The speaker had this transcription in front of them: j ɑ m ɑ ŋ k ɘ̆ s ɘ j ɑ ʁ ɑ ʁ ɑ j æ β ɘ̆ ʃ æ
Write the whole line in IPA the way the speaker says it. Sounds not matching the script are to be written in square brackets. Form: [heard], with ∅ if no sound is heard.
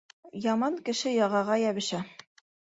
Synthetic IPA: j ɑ m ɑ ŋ k ɘ̆ [ʃ] ɘ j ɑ ʁ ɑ ʁ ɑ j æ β ɘ̆ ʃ æ